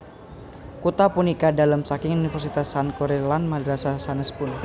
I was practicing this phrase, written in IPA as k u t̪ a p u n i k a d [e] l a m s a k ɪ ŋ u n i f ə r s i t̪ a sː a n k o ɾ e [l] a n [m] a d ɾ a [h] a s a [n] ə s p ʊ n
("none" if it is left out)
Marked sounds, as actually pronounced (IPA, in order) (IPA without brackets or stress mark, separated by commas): a, l, m, s, n